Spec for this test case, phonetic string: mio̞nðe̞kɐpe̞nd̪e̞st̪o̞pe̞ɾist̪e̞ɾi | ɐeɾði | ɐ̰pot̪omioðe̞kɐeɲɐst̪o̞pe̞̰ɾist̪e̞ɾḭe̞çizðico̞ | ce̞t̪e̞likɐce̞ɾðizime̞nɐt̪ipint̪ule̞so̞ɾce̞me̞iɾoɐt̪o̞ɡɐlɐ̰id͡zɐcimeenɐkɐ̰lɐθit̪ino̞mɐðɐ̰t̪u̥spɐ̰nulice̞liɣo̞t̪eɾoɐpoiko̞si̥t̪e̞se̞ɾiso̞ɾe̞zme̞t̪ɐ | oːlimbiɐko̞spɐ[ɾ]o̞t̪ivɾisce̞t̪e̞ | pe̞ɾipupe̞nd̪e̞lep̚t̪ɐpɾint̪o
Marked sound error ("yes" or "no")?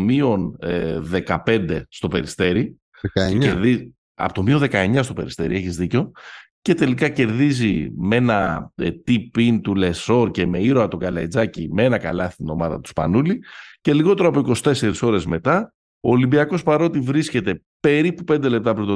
no